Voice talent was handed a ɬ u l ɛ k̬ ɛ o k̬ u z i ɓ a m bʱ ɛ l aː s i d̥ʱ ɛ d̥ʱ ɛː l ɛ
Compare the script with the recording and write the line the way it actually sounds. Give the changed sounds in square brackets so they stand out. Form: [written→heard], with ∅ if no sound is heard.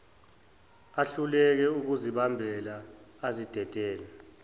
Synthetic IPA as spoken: a ɬ u l ɛ k̬ ɛ [o→u] k̬ u z i ɓ a m bʱ ɛ l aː [s→z] i d̥ʱ ɛ d̥ʱ ɛː l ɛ